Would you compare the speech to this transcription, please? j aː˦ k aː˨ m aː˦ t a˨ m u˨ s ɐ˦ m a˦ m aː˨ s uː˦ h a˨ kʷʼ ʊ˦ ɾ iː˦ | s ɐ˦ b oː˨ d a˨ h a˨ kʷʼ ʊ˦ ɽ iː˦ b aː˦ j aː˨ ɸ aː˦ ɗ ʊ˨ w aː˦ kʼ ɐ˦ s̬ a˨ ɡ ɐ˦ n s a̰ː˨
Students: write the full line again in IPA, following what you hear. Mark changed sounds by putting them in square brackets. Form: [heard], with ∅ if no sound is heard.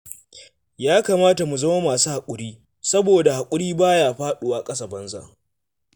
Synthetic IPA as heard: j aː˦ k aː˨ m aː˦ t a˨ m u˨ [z] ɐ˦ m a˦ m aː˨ s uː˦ h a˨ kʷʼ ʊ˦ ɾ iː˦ | s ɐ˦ b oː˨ d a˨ h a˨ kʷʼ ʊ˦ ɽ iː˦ b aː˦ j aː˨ ɸ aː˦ ɗ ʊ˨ w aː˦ kʼ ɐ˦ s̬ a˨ [b] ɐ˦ n [z] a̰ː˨